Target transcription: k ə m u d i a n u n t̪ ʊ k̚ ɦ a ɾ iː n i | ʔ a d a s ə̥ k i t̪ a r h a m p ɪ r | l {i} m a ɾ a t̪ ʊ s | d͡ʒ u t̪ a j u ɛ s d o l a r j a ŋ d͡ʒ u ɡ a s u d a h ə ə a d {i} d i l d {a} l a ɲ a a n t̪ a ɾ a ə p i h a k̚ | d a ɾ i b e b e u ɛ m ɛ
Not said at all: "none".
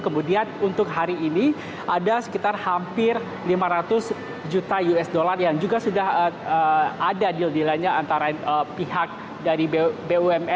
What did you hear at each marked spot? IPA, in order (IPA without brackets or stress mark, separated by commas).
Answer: i, a, i